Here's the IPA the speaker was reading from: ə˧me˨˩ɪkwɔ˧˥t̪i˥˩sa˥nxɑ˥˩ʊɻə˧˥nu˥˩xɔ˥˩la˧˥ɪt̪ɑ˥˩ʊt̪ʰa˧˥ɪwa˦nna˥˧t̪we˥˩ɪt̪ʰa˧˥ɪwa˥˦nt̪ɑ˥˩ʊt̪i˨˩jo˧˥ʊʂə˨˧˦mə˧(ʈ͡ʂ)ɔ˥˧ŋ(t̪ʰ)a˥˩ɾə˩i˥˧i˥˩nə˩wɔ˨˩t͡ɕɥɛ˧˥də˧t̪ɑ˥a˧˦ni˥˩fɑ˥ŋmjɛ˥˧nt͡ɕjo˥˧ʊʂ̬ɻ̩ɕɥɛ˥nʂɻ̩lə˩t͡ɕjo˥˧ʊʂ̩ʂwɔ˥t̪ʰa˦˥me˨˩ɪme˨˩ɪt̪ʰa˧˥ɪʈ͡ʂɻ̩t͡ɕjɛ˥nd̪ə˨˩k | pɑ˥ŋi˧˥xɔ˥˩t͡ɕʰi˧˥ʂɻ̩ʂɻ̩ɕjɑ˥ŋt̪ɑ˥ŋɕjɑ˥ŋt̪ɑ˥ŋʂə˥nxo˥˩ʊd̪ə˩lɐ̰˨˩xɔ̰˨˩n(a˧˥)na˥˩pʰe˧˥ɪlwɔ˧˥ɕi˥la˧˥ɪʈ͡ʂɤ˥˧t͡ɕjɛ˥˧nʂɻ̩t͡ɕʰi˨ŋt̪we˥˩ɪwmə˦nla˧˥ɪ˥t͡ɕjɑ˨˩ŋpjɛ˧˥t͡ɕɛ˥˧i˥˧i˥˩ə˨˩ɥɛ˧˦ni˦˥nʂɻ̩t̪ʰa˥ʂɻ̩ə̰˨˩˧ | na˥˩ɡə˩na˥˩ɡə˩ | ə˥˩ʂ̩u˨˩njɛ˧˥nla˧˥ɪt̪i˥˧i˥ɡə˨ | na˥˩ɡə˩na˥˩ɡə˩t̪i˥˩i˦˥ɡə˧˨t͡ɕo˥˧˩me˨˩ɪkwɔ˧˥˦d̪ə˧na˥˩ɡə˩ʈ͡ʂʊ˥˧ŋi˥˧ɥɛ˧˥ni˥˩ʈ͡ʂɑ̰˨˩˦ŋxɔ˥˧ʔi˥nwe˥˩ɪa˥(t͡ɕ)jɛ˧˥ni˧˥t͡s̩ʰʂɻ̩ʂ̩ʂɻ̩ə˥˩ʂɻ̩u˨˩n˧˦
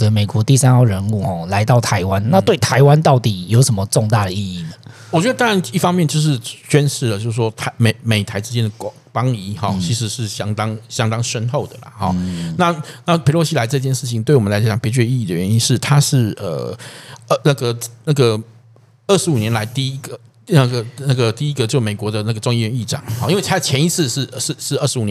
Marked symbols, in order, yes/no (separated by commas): yes, no, no, no